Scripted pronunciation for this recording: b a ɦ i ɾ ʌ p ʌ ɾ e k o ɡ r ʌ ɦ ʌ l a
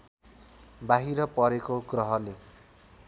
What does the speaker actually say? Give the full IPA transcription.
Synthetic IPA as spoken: b a ɦ i ɾ ʌ p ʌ ɾ e k o ɡ r ʌ ɦ ʌ l e